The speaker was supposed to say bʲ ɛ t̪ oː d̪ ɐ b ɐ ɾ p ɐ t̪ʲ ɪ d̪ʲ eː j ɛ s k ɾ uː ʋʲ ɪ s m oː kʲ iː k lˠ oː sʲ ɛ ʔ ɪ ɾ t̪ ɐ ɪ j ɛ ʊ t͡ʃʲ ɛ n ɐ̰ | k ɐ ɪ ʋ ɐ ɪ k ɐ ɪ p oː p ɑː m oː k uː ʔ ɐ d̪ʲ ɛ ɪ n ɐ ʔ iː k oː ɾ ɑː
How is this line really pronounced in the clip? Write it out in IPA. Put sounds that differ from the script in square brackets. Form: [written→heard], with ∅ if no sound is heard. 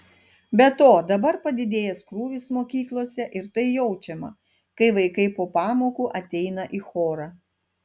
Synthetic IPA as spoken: bʲ ɛ t̪ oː d̪ ɐ b ɐ ɾ p ɐ [t̪ʲ→d̪ʲ] ɪ d̪ʲ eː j ɛ s k ɾ uː ʋʲ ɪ s m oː kʲ iː k lˠ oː sʲ ɛ ʔ ɪ ɾ t̪ ɐ ɪ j ɛ ʊ t͡ʃʲ ɛ [n→m] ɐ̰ | k ɐ ɪ ʋ ɐ ɪ k ɐ ɪ p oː p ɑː m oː k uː ʔ ɐ [d̪ʲ→t̪ʲ] ɛ ɪ n ɐ ʔ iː [k→x] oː ɾ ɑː